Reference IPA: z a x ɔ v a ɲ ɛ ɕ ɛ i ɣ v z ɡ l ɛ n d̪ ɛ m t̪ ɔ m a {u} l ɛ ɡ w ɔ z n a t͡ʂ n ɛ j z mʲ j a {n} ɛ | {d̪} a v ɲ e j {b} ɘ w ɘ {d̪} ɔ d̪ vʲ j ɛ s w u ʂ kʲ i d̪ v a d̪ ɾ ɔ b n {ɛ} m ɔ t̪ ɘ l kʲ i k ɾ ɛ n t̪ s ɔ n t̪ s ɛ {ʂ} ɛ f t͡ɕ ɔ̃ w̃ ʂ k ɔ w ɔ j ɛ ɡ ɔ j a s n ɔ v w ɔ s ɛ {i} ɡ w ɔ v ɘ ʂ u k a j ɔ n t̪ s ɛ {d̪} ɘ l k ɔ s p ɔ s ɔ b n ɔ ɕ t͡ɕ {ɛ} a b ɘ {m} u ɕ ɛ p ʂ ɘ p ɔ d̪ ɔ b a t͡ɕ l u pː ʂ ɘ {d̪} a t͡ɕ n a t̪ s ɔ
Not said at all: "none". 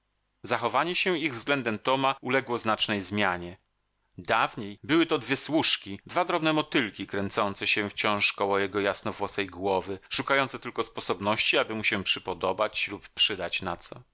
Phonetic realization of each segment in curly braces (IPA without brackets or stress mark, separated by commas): u, ɲ, d̪, b, t̪, ɛ, ɕ, j, t̪, i, m, d̪